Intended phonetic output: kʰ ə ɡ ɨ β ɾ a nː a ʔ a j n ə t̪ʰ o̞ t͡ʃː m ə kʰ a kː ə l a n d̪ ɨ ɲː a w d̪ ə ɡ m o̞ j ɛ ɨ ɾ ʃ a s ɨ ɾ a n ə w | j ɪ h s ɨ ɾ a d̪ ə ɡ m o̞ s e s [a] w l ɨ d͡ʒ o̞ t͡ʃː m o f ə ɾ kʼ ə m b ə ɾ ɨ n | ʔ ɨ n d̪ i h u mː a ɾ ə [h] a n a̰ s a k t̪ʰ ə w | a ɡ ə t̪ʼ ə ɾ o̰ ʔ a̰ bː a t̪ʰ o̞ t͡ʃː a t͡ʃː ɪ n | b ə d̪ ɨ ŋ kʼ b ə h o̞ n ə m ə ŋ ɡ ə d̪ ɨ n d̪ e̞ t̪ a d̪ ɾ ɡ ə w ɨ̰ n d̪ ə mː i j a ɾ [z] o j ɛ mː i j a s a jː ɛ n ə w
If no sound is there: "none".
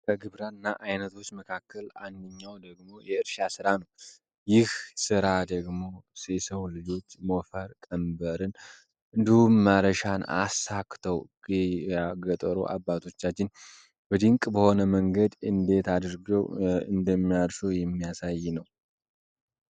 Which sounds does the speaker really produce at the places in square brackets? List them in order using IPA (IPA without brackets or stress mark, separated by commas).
ə, ʃ, s